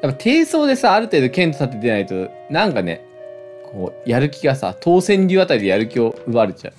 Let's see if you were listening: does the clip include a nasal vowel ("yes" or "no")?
yes